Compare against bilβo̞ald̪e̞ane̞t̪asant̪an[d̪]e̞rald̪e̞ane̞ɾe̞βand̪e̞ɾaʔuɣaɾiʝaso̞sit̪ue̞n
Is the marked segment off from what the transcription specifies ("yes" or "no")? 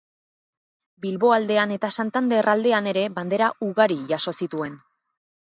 no